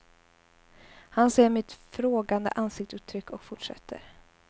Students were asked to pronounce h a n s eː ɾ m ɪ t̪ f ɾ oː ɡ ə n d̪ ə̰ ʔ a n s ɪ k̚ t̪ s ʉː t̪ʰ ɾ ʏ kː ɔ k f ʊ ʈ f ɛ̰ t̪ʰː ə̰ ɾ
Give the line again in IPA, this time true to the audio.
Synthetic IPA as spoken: h a n s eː ɾ m ɪ t̪ f ɾ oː ɡ a n d̪ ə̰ ʔ a n s ɪ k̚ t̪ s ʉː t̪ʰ ɾ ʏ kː ɔ k f ʊ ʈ ʂ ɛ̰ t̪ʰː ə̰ ɾ